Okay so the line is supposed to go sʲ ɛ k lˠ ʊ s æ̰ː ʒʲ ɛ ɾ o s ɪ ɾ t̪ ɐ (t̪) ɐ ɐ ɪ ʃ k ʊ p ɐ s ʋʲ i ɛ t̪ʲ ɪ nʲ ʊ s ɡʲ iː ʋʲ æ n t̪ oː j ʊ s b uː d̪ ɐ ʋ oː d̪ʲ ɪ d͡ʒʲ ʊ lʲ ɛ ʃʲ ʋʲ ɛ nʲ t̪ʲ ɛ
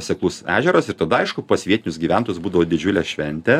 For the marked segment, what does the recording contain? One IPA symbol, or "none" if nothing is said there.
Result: d̪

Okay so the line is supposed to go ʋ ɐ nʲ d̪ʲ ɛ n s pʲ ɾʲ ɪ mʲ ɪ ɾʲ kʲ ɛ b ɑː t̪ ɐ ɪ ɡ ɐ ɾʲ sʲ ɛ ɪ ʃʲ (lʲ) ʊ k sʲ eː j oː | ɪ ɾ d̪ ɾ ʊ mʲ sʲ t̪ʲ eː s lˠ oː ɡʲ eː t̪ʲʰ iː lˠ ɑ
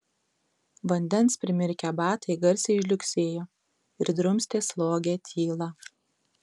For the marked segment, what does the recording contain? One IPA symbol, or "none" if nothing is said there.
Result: lʲ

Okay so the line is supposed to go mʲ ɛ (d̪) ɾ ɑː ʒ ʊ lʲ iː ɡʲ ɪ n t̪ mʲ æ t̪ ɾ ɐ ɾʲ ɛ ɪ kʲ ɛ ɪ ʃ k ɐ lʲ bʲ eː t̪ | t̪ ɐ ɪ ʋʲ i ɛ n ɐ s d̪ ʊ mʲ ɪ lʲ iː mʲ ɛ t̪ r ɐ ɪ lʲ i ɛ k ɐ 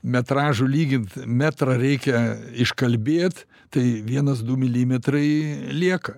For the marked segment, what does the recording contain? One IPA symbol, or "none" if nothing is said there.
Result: t̪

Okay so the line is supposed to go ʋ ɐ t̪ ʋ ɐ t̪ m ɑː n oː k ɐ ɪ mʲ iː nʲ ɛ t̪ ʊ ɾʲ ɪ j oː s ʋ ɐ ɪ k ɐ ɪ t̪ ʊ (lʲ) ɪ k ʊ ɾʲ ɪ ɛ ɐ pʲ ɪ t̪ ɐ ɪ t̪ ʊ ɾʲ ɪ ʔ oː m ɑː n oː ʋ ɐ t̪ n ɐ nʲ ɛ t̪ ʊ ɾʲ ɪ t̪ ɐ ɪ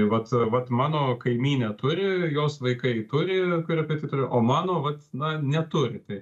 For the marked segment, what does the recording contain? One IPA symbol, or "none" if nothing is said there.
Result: ɾʲ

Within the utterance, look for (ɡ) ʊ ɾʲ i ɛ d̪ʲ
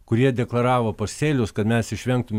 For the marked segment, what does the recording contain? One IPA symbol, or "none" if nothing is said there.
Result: k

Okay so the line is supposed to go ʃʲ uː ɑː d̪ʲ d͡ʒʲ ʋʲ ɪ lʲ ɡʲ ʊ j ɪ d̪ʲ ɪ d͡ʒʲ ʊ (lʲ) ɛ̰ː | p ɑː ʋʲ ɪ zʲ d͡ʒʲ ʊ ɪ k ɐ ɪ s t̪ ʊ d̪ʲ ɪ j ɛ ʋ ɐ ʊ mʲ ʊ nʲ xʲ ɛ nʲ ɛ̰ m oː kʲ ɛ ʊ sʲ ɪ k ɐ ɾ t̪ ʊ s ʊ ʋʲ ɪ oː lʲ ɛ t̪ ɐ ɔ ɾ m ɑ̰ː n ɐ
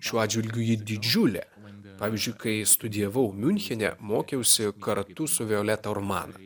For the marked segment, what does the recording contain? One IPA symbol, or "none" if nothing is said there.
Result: lʲ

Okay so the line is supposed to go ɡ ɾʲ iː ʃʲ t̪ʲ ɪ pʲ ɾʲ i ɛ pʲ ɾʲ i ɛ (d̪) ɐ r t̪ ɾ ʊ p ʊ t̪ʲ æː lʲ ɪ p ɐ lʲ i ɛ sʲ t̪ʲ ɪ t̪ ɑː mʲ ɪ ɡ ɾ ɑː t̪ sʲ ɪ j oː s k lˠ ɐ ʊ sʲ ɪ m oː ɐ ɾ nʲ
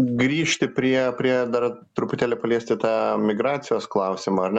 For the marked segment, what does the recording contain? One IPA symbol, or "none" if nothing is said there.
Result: d̪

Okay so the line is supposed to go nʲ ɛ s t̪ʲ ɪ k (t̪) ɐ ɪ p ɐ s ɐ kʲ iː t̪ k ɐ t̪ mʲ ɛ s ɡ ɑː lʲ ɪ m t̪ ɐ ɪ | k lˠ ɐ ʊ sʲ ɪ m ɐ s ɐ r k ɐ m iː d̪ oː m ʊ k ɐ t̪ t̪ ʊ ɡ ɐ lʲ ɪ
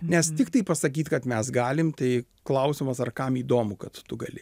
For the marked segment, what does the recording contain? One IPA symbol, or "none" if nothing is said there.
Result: t̪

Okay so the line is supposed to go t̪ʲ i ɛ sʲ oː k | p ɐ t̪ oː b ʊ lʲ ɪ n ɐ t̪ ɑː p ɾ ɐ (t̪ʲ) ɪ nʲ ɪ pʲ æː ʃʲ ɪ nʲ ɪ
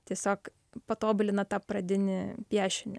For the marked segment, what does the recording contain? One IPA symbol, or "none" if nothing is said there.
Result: d̪ʲ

